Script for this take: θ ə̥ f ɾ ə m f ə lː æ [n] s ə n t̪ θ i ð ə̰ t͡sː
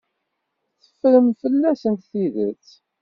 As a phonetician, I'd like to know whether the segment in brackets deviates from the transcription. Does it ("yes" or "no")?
yes